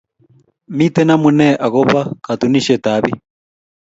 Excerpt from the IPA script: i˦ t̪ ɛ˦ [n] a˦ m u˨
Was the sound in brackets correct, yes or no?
yes